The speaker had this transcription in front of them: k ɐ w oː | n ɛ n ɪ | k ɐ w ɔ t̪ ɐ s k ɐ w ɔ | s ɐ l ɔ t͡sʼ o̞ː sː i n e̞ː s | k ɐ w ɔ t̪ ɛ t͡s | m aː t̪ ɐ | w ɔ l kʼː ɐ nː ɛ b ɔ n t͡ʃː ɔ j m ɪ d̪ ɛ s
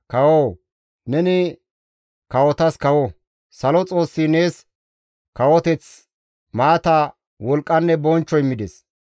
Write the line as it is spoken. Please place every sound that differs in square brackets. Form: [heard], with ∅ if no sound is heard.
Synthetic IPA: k ɐ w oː | n ɛ n ɪ | k ɐ w ɔ t̪ ɐ s k ɐ w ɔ | s ɐ l ɔ t͡sʼ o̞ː sː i n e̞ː s | k ɐ w ɔ t̪ ɛ t͡s | m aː t̪ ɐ | w ɔ l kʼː ɐ nː ɛ b ɔ n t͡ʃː ɔ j m ɪ d̪ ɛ s